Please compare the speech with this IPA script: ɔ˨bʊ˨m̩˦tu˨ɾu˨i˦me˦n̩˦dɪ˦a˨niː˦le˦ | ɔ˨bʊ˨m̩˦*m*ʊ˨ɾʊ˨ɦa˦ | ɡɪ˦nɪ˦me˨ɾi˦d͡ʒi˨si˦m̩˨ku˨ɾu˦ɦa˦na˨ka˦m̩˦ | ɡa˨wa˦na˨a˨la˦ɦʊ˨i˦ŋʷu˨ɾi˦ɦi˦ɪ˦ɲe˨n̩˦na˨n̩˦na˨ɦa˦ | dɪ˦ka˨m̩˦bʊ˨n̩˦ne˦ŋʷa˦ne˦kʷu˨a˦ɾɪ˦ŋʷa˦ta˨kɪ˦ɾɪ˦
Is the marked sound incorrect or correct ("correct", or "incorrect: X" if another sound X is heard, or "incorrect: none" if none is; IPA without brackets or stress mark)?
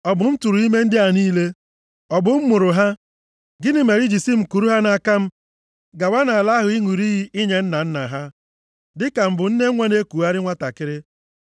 correct